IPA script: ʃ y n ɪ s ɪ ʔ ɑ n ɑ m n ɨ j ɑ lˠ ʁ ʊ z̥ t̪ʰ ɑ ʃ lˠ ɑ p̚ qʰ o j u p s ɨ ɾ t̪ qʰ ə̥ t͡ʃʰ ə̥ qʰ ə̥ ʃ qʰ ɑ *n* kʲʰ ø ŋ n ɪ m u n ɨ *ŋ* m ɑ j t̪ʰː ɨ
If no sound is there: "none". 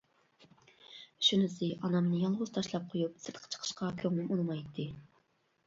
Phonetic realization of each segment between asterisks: none, none

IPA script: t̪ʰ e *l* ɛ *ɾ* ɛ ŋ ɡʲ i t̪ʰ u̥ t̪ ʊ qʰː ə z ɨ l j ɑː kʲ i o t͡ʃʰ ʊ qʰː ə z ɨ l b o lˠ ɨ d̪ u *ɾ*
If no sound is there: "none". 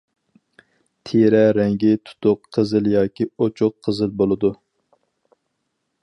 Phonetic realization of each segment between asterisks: ɾ, ɾ, none

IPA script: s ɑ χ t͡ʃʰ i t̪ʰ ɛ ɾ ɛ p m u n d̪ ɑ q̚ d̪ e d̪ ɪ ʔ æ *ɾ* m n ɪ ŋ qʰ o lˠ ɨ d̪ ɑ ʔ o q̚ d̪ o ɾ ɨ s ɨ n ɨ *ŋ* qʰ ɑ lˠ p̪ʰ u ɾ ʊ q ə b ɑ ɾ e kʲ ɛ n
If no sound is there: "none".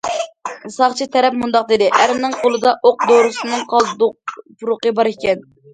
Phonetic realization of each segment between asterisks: ɾ, ŋ

